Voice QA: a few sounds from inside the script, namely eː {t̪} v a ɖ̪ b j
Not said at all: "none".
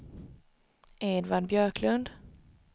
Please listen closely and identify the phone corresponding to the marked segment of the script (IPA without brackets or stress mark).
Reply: d̪